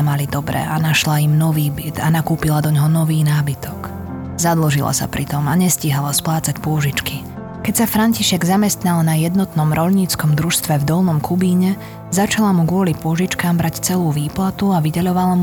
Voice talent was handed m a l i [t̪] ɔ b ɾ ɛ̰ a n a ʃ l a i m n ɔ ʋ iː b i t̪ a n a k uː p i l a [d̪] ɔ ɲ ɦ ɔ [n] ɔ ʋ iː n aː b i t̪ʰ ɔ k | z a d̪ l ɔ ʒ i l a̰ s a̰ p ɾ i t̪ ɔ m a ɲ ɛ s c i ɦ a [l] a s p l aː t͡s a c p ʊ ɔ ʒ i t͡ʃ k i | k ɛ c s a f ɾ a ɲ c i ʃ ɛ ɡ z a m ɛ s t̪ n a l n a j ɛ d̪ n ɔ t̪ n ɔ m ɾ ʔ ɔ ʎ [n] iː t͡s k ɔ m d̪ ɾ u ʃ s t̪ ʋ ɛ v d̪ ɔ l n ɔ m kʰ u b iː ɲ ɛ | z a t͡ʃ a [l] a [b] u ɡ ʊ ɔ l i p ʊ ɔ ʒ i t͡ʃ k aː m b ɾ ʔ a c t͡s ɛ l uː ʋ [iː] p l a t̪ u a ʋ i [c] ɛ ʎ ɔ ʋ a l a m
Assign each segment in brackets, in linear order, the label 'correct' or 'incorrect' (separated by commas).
incorrect, correct, correct, correct, incorrect, correct, incorrect, correct, incorrect